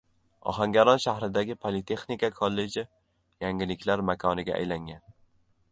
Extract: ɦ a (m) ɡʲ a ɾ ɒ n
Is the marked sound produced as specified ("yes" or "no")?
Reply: no